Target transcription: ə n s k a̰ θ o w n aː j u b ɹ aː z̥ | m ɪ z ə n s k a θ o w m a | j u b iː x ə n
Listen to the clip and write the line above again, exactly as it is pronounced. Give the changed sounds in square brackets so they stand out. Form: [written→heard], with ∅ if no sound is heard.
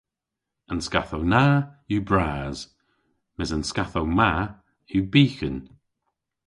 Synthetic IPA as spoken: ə n s k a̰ θ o w n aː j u b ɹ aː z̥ | m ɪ z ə n s k a θ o w m a | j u b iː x ə n